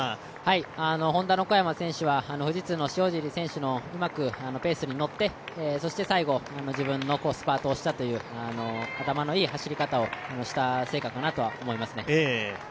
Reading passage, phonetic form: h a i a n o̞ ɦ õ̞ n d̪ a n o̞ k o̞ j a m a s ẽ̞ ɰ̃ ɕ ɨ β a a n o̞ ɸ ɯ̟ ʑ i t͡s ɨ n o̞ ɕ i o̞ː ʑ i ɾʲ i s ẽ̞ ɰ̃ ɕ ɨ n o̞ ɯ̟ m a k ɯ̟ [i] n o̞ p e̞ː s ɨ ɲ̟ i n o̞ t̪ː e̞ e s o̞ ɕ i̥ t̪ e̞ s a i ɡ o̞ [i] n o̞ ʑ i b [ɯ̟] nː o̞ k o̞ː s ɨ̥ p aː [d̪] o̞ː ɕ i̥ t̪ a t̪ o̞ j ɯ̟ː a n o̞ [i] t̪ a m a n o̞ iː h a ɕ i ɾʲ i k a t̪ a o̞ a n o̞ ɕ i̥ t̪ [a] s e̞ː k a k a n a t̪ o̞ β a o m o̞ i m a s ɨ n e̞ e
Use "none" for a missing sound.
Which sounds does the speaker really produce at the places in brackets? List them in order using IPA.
a, a, ɯ̟̃, t̪, a, a

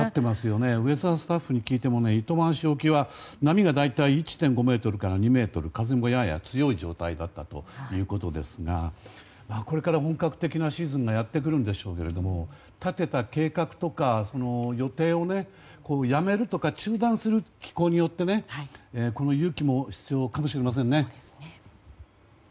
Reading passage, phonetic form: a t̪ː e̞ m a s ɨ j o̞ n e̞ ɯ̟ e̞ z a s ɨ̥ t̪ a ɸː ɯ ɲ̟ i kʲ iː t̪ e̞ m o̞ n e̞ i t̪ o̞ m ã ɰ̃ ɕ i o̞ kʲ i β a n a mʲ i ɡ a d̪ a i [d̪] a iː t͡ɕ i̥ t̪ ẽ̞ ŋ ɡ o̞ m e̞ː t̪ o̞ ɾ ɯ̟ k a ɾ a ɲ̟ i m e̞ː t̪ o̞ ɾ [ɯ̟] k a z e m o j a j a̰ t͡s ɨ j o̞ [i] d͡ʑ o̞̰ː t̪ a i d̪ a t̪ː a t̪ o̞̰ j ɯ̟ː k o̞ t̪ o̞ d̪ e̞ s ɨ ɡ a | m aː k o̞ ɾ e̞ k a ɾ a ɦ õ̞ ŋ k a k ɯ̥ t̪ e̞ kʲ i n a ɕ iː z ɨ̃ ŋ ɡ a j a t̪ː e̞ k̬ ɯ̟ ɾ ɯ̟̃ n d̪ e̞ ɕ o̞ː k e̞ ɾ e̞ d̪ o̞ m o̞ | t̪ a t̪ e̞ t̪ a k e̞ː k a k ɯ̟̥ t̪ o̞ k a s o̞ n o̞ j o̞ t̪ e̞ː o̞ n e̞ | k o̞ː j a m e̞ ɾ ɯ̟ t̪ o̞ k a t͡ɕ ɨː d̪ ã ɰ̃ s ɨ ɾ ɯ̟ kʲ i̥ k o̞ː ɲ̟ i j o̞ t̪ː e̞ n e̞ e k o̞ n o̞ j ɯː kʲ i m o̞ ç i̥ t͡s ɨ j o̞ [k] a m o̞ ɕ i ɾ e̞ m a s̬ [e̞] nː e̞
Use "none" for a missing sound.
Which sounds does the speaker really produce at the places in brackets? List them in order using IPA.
t̪, ɯ̟, i, k, ẽ̞

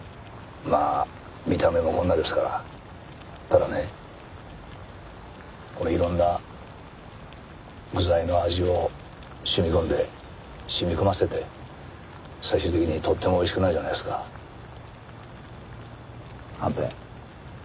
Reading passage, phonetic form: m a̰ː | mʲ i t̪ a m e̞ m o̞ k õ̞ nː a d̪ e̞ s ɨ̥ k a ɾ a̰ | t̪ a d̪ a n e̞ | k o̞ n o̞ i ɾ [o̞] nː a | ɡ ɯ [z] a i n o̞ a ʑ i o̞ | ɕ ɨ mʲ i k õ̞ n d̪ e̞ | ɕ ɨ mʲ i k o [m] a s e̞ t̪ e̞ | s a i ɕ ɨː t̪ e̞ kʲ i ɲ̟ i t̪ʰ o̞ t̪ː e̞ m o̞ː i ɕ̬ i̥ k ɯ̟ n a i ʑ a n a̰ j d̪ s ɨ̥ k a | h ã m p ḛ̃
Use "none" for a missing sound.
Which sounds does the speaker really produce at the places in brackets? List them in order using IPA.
õ̞, z, m

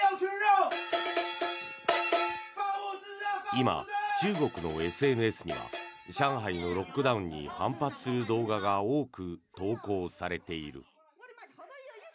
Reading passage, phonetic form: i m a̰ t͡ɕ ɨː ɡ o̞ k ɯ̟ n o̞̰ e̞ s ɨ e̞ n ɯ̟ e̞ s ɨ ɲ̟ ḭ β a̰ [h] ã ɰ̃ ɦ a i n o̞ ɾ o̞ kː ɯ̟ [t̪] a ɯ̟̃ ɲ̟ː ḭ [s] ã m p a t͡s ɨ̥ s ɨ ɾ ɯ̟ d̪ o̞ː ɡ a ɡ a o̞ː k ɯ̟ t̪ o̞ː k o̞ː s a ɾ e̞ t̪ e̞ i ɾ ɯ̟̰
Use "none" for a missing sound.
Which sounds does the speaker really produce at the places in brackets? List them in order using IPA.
ɕ, d̪, h

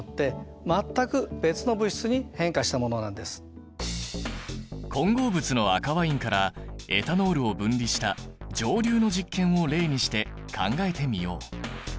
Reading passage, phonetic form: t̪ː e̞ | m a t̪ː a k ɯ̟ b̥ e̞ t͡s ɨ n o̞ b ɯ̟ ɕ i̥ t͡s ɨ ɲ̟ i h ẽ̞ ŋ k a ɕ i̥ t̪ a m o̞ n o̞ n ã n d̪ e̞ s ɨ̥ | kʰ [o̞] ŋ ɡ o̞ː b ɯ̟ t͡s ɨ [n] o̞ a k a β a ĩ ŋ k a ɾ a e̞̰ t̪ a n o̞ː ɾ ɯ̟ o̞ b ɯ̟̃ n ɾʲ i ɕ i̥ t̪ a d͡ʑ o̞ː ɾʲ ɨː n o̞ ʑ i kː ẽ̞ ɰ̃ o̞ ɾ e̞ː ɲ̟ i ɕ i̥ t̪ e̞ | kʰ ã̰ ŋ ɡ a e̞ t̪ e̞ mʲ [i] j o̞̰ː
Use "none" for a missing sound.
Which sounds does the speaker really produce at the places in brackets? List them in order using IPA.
õ̞, n, i

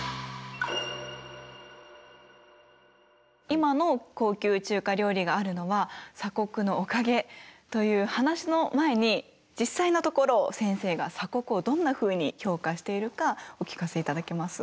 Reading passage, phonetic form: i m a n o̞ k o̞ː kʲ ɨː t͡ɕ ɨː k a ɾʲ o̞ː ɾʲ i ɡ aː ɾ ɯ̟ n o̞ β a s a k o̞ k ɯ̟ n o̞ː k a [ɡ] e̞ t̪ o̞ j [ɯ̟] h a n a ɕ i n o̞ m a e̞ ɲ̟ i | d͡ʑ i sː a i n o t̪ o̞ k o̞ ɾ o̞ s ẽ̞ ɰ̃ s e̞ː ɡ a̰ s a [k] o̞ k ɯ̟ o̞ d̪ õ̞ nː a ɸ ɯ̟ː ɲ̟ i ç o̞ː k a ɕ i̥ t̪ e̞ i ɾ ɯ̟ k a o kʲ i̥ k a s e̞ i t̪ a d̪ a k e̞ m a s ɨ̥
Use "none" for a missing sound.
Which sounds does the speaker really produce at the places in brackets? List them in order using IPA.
ɡ, ɯ̟ː, k

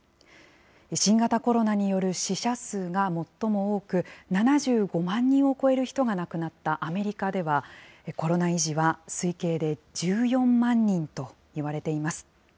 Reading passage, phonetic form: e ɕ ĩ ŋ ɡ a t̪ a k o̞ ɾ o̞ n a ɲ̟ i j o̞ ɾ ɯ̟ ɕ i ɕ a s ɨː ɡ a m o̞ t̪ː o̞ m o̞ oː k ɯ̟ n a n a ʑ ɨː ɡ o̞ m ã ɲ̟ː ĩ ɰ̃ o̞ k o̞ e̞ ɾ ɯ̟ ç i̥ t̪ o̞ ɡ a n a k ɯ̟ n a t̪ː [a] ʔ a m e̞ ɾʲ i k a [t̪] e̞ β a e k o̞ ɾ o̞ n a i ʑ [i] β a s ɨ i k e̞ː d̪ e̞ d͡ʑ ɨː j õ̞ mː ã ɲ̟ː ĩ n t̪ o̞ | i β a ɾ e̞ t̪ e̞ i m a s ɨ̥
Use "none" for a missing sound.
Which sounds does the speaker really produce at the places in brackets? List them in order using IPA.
a, d̪, i

